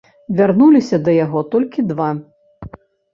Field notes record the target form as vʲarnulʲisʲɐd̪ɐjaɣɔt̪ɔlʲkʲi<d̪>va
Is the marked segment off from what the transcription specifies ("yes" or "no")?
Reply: no